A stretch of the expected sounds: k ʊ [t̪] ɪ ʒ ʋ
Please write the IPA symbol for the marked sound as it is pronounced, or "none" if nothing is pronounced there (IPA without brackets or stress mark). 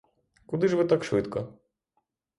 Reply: d̪